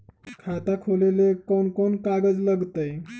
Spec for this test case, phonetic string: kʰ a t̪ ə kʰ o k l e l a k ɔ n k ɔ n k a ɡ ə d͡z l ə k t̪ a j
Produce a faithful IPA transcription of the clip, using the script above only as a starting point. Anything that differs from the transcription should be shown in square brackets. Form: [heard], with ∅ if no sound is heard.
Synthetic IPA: kʰ a t̪ [a] kʰ o [∅] l e l [e] k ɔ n k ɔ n k a ɡ ə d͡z l ə [ɡ] t̪ [ə] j